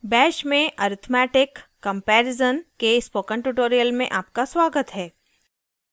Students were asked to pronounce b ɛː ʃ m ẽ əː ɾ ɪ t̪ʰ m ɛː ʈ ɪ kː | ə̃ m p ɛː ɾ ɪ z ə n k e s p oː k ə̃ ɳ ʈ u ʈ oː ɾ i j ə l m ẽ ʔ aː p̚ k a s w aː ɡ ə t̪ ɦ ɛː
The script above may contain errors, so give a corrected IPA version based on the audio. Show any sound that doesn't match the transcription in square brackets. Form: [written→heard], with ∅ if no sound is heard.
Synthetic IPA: b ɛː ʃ m ẽ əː ɾ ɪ t̪ʰ m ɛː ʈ ɪ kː | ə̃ m p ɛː ɾ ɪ z ə n k e s p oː k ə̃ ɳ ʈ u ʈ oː ɾ i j ə l m ẽ ʔ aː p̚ k a s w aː ɡ ə t̪ ɦ ɛː